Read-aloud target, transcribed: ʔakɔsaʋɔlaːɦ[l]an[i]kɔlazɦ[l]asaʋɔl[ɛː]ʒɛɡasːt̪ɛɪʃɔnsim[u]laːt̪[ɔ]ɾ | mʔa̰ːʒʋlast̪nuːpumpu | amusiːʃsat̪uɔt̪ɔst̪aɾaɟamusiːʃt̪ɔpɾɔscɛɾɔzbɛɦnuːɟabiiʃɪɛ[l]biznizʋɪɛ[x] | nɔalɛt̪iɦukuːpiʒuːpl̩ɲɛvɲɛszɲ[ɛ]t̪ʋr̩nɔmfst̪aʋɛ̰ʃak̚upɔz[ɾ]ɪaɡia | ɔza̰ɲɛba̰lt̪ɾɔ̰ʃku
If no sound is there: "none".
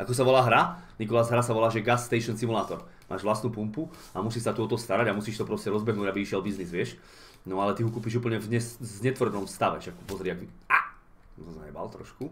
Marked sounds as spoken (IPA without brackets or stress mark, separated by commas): ɾ, i, ɾ, aː, u, ɔ, l, ʃ, ɛ, ɾ